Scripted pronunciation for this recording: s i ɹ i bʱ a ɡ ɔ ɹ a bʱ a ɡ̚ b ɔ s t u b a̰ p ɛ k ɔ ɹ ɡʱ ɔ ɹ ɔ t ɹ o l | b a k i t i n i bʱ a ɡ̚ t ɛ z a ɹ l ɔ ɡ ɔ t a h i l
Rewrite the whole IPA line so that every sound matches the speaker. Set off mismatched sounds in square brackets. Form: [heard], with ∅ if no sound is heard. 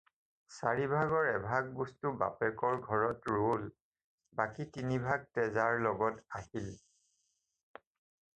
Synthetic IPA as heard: s [a] ɹ i bʱ a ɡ ɔ ɹ [ɛ] bʱ a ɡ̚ b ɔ s t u b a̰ p ɛ k ɔ ɹ ɡʱ ɔ ɹ ɔ t ɹ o l | b a k i t i n i bʱ a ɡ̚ t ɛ z a ɹ l ɔ ɡ ɔ t a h i l